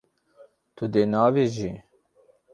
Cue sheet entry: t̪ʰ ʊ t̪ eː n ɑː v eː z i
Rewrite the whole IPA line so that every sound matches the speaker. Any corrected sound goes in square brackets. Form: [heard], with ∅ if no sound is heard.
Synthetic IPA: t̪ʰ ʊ [d̪] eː n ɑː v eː [ʒ] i

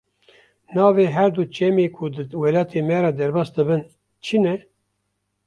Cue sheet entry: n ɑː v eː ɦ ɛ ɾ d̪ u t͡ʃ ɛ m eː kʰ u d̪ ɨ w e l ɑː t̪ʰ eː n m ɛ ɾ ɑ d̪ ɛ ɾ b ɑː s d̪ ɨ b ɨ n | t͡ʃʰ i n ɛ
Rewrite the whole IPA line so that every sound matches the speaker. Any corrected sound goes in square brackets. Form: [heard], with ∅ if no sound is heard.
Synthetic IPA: n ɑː v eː ɦ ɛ ɾ d̪ u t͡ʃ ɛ m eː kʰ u d̪ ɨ w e l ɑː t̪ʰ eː [∅] m ɛ ɾ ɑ d̪ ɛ ɾ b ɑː s d̪ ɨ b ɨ n | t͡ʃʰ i n ɛ

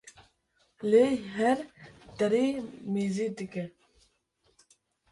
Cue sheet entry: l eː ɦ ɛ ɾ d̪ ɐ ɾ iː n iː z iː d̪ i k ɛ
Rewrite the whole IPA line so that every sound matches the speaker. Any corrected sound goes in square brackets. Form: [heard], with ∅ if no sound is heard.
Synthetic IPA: l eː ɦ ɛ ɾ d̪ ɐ ɾ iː [m] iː z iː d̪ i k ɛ

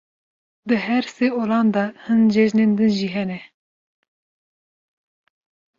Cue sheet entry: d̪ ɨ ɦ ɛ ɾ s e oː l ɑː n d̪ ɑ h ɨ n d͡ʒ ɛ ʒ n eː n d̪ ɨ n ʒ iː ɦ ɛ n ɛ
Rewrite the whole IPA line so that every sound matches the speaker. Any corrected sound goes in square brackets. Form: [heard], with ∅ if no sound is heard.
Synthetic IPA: d̪ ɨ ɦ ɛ ɾ s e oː l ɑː n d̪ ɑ h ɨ n d͡ʒ ɛ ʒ n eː n d̪ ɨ n ʒ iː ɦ ɛ n ɛ

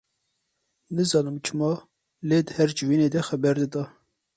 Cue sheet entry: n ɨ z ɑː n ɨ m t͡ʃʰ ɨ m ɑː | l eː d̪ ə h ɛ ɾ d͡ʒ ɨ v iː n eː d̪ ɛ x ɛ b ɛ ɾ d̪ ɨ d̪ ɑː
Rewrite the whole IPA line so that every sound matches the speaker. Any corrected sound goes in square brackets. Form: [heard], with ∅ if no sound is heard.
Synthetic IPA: n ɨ z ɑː n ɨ m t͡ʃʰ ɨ m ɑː | l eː d̪ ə h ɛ ɾ d͡ʒ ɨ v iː n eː d̪ ɛ x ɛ b ɛ ɾ d̪ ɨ d̪ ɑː

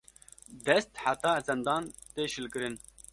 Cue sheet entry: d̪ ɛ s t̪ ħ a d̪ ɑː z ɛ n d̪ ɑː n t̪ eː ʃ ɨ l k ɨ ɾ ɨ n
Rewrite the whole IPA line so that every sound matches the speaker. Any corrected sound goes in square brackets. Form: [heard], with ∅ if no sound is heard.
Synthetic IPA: d̪ ɛ s t̪ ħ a [t̪] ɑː z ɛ n d̪ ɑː n t̪ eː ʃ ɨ l k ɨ ɾ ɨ n

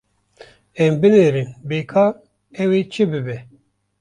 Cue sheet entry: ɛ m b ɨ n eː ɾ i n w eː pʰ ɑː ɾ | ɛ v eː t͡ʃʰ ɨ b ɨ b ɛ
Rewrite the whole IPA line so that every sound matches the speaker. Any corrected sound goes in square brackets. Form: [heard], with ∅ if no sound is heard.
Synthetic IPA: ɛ m b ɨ n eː ɾ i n [b] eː [kʰ] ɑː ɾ | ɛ [w] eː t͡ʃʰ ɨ b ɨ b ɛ

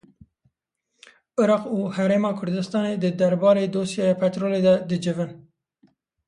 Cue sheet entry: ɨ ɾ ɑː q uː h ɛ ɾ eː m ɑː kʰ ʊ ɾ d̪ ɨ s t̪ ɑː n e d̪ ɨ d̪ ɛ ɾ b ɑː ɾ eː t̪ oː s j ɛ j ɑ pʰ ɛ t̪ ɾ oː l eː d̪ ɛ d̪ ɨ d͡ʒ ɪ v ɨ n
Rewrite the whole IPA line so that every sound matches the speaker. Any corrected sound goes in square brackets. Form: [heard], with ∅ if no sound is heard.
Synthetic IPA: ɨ ɾ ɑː q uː h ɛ ɾ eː m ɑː kʰ ʊ ɾ d̪ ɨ s t̪ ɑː n e d̪ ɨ d̪ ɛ ɾ b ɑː ɾ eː [d̪] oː s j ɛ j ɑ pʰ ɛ t̪ ɾ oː l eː d̪ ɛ d̪ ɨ d͡ʒ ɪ v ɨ n

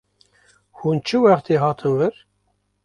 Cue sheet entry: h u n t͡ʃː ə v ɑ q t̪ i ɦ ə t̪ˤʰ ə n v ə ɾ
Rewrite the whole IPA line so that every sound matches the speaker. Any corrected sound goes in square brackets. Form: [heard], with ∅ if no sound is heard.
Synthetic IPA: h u n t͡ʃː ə [w] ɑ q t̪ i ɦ [ɑ] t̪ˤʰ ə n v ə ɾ

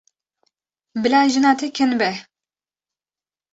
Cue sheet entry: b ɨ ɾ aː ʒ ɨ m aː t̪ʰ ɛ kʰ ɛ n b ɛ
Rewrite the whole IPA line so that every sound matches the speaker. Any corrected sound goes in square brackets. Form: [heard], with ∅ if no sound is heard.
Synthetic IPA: b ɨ [l] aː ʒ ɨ [n] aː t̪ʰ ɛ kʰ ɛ n b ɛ

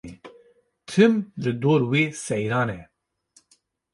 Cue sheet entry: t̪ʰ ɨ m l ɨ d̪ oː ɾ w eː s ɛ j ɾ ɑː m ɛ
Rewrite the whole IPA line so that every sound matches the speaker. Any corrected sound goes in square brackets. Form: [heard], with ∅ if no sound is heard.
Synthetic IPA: t̪ʰ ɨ m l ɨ d̪ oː ɾ w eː s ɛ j ɾ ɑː [n] ɛ

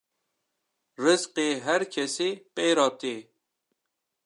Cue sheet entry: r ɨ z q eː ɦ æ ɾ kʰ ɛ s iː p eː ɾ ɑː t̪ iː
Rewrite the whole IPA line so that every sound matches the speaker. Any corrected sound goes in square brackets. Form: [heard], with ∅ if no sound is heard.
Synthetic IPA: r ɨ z q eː ɦ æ ɾ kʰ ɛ s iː p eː ɾ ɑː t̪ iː

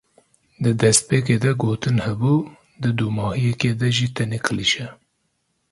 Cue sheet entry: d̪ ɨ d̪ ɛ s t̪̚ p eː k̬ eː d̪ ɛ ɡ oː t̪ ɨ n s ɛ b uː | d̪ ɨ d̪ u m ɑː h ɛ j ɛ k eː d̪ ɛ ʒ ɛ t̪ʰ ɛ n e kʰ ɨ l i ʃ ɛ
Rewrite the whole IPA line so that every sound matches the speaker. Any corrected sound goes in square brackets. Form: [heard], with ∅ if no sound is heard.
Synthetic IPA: d̪ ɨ d̪ ɛ s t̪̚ p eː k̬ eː d̪ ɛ ɡ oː t̪ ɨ n [h] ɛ b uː | d̪ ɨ d̪ u m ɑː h [i] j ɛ k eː d̪ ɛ ʒ [i] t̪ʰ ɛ n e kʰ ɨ l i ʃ ɛ

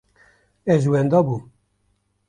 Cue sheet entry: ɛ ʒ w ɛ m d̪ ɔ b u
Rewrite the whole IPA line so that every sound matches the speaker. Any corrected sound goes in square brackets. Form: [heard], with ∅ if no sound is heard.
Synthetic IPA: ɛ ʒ w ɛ [n] d̪ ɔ b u

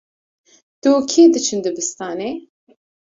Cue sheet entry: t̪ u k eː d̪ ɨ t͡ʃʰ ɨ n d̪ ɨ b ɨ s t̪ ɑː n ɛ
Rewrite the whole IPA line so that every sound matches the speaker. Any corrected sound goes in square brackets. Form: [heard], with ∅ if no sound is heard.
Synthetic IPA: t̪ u [kʰ] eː d̪ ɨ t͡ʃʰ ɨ n d̪ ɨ b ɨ s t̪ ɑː n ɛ

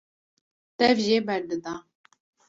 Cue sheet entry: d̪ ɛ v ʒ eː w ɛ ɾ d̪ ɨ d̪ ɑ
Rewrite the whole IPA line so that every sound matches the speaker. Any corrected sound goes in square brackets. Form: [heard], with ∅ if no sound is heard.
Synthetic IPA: [t̪] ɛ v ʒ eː [b] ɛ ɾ d̪ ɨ d̪ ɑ

